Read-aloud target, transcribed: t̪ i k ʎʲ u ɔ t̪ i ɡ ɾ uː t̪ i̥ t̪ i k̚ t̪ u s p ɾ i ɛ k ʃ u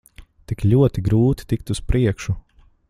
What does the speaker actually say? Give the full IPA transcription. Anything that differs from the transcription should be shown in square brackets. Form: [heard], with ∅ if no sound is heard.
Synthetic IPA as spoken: t̪ i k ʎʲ u ɔ t̪ i ɡ ɾ uː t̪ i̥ t̪ i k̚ t̪ u s p ɾ i ɛ k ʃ u